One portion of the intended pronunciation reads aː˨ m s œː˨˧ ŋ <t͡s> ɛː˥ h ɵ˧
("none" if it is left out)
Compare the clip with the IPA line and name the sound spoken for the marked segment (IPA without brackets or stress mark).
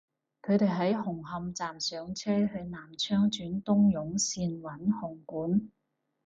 t͡sʰ